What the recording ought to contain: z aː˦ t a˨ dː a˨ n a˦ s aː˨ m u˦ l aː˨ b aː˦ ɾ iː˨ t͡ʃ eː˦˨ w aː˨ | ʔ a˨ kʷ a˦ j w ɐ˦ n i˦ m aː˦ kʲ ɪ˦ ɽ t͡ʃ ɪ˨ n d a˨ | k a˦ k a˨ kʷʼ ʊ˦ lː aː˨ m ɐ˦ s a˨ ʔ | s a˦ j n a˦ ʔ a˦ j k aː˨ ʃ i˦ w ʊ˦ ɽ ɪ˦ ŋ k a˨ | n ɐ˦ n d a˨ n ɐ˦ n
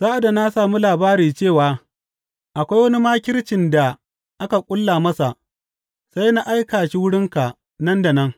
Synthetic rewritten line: z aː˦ ʔ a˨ d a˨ n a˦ s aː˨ m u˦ l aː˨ b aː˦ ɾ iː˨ t͡ʃ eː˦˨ w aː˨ | ʔ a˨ kʷ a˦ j w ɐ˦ n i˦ m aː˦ kʲ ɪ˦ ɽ t͡ʃ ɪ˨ n d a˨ | ʔ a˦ k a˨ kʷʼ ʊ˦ lː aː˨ m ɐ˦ s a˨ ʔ | s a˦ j n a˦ ʔ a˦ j k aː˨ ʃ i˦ w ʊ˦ ɽ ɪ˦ ŋ k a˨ | n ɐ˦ n d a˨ n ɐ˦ ŋ

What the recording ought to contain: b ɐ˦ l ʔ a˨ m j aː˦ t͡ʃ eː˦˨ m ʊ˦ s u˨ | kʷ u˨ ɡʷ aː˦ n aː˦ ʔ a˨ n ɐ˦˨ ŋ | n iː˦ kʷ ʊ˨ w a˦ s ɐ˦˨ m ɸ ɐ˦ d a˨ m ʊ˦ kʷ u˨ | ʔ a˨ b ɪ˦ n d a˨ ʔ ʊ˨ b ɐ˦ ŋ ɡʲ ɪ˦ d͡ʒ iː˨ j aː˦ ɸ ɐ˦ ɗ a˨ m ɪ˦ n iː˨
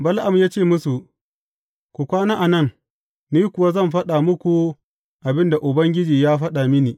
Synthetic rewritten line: b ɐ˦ l ʔ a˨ m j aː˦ t͡ʃ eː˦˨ m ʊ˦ s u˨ | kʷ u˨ kʷ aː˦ n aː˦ ʔ a˨ n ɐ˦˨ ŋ | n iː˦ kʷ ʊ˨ w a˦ z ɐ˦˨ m ɸ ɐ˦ ɗ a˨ m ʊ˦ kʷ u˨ | ʔ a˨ b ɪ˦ n d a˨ ʔ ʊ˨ b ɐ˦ ŋ ɡʲ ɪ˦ d͡ʒ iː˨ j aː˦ ɸ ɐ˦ ɗ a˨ m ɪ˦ n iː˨

